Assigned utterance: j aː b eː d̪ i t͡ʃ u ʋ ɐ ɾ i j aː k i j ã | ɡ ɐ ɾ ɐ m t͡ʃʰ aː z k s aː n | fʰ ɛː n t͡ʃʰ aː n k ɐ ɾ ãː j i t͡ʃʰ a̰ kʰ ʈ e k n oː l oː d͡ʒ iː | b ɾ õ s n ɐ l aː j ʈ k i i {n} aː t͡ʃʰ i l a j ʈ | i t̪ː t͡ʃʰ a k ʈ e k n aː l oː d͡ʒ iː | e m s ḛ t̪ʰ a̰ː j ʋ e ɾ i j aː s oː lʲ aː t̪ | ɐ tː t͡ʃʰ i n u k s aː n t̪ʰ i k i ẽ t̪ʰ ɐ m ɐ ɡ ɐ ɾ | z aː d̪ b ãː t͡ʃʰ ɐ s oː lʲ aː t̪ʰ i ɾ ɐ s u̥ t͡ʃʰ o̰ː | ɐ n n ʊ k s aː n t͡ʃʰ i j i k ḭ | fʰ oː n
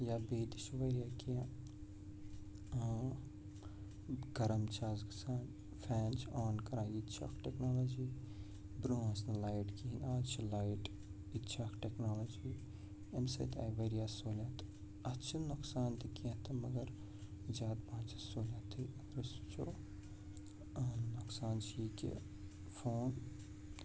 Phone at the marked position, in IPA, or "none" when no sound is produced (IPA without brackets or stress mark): n